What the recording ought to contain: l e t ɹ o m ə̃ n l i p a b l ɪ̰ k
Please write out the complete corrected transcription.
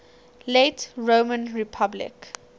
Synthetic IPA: l e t ɹ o m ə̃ n ɹ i pʰ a b l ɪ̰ k